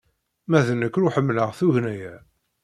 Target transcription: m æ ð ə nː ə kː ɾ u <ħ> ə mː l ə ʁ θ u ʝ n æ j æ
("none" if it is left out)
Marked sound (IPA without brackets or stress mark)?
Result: ħ